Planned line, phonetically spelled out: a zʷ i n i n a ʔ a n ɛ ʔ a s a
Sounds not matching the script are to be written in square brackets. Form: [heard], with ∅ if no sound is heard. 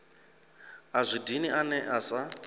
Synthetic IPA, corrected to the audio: a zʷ i [d] i n [i] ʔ a n ɛ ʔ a s a